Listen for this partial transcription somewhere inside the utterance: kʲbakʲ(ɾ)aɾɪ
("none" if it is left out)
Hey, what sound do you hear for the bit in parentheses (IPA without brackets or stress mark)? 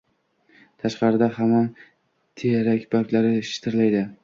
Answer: l